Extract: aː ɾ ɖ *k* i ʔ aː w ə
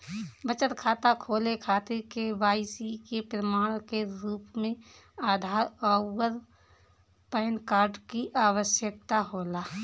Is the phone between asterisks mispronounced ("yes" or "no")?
no